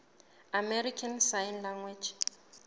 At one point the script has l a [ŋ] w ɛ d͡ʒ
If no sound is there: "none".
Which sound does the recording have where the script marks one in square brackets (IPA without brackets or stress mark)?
ŋ